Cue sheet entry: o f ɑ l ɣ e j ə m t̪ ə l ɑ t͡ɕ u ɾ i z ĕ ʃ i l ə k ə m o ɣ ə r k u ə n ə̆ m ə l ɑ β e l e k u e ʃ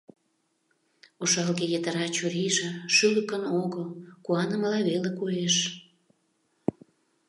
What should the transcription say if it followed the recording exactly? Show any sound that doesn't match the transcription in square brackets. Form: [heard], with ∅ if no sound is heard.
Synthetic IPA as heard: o [ʃ] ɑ l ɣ e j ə [∅] t̪ ə [ɾ] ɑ t͡ɕ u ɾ i [ʒ] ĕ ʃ [y] l ə k ə [n] o ɣ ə [l] k u [ɑ] n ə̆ m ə l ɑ β e l e k u e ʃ